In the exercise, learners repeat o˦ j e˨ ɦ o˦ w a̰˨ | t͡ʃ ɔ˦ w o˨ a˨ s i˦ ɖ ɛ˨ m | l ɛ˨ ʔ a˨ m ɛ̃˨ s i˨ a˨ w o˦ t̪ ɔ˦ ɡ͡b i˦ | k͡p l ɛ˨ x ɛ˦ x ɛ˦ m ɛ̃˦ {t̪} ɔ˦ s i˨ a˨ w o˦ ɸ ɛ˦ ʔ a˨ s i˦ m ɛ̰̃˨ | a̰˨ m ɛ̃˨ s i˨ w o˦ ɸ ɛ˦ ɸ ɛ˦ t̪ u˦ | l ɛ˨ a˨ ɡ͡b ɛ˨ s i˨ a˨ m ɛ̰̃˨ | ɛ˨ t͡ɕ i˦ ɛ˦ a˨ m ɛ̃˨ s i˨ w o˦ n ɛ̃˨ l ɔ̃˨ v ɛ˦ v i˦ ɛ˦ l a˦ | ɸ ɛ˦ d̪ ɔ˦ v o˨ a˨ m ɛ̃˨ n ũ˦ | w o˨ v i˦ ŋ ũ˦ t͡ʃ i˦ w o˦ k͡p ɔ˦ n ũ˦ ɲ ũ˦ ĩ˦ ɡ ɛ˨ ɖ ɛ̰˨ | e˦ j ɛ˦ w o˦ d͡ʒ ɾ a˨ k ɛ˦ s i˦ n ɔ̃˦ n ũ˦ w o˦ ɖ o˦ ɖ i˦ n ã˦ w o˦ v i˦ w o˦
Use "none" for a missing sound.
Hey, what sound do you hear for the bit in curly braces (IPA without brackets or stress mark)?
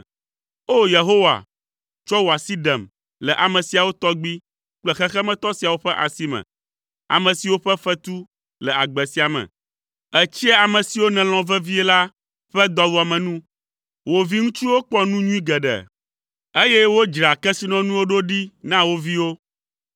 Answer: t̪